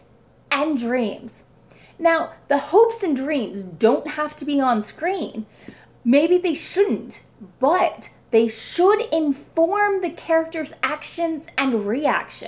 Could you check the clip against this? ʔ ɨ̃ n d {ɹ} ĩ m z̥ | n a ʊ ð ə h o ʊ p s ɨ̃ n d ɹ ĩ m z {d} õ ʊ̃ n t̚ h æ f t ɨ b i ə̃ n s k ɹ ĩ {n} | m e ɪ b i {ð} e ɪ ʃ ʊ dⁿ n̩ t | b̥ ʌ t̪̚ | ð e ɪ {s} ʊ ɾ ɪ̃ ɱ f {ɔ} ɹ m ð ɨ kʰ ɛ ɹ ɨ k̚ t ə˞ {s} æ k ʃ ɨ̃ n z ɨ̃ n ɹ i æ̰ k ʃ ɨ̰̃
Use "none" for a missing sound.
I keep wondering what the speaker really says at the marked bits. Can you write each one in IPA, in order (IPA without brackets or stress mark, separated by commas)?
ɹ, d, n, ð, ʃ, ɔ, z